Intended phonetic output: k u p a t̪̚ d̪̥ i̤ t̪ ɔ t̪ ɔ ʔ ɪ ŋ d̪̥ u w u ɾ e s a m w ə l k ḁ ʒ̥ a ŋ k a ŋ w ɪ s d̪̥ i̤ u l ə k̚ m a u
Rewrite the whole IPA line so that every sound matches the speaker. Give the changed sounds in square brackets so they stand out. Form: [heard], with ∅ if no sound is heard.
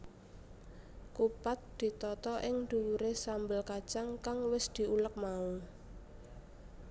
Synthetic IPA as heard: k u p a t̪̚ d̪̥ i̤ t̪ ɔ t̪ ɔ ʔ ɪ ŋ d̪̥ u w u ɾ e s a m [b] ə l k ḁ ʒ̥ a ŋ k a ŋ w ɪ s d̪̥ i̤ u l ə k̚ m a u